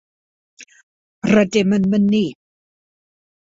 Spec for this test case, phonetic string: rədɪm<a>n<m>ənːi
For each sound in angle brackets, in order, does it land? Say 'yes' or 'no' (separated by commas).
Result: no, yes